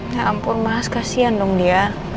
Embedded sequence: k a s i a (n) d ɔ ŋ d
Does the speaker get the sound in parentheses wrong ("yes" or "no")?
no